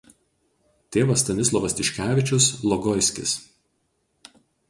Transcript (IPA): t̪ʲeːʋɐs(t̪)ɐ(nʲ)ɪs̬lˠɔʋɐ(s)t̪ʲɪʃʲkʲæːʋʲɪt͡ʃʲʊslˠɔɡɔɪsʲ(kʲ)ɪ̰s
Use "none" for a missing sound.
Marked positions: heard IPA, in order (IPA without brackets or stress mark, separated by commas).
t̪, nʲ, s, kʲ